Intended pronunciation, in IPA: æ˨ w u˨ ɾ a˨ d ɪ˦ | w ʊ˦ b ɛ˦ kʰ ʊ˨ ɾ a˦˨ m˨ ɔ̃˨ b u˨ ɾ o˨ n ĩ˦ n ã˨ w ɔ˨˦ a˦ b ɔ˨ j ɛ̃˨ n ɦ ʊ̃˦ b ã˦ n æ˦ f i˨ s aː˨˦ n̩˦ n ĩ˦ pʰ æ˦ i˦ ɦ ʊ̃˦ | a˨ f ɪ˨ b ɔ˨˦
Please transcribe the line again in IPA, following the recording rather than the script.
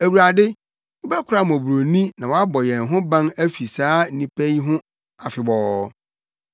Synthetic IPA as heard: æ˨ w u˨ ɾ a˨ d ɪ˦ | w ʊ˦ b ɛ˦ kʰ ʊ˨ ɾ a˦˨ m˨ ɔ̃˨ b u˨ ɾ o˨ n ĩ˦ n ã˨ w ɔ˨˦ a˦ b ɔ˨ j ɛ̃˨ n ɦ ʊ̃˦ b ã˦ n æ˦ f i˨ s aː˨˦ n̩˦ n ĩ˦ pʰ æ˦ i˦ ɦ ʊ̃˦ | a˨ f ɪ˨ b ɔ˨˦

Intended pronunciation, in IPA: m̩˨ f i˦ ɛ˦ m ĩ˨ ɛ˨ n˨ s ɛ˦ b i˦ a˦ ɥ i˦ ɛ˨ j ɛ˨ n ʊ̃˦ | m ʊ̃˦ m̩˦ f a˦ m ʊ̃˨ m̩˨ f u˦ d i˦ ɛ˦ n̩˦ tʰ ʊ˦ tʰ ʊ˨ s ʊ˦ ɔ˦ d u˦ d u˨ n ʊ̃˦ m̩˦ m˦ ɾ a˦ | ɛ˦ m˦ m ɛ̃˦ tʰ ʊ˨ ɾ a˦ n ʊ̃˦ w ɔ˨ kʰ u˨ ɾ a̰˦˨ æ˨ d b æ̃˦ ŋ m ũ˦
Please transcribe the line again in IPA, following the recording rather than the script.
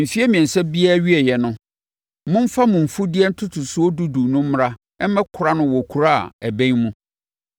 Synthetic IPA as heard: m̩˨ f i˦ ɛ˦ m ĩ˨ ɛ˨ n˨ s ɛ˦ b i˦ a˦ ɥ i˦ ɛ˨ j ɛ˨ n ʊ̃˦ | m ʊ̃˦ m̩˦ f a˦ m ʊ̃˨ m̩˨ f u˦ d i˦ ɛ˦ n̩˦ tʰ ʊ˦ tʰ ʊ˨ s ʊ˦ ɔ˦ d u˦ d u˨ n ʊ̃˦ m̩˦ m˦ ɾ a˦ | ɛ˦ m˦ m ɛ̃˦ kʰ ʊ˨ ɾ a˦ n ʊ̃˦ w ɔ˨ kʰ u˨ ɾ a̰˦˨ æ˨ b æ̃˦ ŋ m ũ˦

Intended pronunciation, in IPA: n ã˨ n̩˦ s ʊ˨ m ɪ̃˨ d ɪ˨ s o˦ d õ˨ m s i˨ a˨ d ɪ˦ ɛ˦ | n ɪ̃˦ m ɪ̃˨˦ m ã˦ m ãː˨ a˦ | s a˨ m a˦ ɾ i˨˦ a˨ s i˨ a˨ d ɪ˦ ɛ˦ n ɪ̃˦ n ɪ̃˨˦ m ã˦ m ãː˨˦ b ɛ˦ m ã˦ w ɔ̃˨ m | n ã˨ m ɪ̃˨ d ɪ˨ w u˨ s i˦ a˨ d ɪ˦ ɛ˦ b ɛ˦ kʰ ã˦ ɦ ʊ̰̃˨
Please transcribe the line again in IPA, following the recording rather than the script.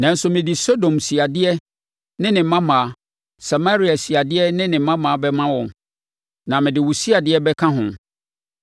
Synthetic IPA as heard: n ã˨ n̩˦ s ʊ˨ m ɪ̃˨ d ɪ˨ s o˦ d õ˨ m s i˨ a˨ d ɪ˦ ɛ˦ | n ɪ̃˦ n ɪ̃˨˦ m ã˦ m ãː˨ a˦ | s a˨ m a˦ ɾ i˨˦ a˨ s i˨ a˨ d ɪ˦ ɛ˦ n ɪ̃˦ n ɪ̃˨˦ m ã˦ m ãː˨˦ b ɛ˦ m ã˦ w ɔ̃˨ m | n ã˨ m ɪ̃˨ d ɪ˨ w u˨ s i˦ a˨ d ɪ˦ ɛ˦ b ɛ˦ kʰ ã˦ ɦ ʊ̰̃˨

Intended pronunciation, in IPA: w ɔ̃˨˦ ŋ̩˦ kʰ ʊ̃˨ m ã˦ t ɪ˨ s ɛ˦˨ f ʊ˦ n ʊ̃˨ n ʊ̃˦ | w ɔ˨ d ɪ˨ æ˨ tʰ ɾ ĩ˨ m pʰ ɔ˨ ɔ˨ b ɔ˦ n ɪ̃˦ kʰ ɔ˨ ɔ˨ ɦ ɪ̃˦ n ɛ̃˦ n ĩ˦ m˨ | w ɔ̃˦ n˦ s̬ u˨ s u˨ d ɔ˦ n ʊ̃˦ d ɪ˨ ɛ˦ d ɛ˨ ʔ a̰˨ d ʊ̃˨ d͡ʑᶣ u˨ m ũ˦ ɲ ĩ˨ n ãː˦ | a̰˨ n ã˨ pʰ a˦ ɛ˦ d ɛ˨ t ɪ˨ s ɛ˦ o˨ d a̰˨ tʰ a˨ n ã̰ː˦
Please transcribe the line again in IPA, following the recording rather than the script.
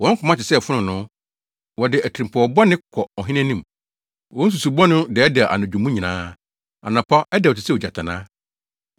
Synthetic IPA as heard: w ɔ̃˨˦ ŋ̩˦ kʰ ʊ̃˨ m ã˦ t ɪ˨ s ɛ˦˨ f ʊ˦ n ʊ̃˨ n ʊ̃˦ | w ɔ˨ d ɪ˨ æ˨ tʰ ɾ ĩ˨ m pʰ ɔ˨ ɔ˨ b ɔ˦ n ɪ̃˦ kʰ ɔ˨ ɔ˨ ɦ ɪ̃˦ n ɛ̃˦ n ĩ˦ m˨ | w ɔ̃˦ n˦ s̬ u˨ s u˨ b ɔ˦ n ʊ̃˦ d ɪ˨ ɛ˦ d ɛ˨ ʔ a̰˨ n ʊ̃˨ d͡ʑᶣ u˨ m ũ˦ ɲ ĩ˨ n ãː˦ | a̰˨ n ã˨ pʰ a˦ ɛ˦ d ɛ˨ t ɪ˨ s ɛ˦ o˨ d͡ʑ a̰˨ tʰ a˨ n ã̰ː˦

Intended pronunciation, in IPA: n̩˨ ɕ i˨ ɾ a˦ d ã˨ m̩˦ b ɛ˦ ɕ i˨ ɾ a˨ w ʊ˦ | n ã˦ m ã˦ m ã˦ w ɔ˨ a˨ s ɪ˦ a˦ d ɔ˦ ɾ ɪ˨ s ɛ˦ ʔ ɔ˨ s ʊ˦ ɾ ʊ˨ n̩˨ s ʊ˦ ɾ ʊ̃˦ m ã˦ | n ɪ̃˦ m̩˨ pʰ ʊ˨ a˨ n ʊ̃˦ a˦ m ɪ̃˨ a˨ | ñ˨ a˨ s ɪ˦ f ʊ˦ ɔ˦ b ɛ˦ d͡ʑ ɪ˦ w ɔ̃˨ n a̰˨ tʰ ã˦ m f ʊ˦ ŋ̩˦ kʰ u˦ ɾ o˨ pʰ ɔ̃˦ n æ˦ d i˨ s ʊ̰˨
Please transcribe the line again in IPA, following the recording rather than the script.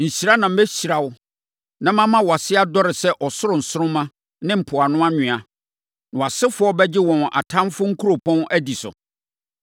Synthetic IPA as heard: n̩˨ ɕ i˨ ɾ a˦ n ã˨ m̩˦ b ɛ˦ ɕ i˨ ɾ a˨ w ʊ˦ | n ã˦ m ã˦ m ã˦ w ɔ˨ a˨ s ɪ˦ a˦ d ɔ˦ ɾ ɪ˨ s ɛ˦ ʔ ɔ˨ s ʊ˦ ɾ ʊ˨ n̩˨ s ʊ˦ ɾ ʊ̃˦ m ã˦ | n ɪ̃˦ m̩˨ pʰ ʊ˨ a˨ n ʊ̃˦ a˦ ɲ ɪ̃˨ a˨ | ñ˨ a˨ s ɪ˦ f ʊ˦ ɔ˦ b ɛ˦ d͡ʑ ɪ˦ w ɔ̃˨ n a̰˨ tʰ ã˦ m f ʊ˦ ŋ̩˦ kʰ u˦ ɾ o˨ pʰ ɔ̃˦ n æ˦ d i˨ s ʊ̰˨

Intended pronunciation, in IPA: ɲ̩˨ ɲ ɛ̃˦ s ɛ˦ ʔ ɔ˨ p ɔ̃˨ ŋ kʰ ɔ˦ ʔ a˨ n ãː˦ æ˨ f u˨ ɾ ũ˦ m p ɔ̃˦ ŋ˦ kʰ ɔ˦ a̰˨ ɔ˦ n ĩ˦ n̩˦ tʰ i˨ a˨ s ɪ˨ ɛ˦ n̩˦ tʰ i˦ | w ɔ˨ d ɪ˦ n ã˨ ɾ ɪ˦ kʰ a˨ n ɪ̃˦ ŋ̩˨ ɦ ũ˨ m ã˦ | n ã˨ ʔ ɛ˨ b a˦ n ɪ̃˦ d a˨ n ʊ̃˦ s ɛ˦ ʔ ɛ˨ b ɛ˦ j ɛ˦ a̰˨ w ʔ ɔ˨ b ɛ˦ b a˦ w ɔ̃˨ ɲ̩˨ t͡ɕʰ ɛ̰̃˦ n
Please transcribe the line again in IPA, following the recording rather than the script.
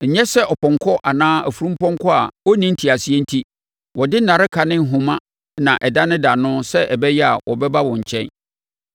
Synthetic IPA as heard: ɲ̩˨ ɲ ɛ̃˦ s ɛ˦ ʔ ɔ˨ p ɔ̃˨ ŋ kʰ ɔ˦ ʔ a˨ n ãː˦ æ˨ f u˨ ɾ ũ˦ m p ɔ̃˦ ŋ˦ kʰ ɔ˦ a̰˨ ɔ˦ n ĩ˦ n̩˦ tʰ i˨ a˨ s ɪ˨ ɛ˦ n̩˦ tʰ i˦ | w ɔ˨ d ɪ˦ n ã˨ ɾ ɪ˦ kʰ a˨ n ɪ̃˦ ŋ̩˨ ɦ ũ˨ m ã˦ | n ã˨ ʔ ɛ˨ d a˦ n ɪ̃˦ d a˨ n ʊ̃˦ s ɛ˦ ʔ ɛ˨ b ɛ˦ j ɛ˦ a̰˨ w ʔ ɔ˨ b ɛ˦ b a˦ w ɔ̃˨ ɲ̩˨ t͡ɕʰ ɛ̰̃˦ n

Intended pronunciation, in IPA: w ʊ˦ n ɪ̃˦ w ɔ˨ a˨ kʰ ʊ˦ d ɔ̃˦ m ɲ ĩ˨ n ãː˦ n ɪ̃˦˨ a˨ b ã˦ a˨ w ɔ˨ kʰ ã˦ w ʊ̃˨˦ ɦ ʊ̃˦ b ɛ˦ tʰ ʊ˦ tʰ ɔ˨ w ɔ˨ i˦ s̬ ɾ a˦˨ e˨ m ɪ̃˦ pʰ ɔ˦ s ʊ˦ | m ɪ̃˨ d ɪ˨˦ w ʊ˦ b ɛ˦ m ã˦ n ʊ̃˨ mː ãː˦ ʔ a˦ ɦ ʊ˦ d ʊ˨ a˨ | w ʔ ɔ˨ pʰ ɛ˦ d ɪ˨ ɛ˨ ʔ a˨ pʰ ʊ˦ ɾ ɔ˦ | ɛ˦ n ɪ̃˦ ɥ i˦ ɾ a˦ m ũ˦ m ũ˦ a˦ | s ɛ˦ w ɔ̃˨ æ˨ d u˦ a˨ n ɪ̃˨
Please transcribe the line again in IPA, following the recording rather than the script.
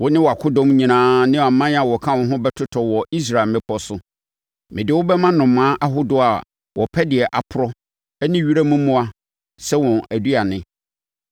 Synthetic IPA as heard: w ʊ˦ n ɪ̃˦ w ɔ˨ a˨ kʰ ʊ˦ d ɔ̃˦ m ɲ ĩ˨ n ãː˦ n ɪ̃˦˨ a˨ m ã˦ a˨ w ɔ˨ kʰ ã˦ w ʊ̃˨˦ ɦ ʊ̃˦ b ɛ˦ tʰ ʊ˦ tʰ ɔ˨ w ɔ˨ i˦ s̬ ɾ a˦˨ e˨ m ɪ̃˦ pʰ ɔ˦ s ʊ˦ | m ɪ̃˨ d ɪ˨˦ w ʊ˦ b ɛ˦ m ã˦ n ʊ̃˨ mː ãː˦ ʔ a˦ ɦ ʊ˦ d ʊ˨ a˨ | w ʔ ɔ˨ pʰ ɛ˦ d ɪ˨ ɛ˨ ʔ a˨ pʰ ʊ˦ ɾ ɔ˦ | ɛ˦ n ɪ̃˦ ɥ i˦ ɾ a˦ m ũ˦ m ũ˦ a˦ | s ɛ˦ w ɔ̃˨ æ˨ d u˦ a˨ n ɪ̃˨

